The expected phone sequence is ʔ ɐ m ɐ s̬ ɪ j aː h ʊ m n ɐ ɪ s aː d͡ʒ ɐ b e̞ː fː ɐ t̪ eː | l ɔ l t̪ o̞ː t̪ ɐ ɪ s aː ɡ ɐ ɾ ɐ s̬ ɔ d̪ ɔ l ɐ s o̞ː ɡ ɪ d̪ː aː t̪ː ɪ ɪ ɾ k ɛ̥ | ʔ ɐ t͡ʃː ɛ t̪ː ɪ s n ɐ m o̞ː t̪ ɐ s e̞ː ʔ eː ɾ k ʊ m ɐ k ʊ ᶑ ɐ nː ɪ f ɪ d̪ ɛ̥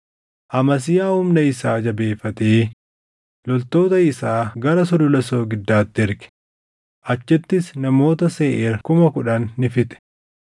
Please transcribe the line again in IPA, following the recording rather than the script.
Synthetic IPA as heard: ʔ ɐ m ɐ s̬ ɪ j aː h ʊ m n ɐ ɪ s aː d͡ʒ ɐ b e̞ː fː ɐ t̪ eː | l ɔ l t̪ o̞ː t̪ ɐ ɪ s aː ɡ ɐ ɾ ɐ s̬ ɔ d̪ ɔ l ɐ s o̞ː ɡ ɪ d̪ː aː t̪ː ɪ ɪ ɾ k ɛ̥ | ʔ ɐ t͡ʃː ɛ t̪ː ɪ s n ɐ m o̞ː t̪ ɐ s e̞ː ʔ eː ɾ k ʊ m ɐ k ʊ ᶑ ɐ nː ɪ f ɪ t̪ ɛ̥